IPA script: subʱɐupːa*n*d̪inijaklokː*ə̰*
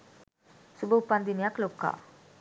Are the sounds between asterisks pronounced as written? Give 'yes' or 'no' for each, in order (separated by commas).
yes, no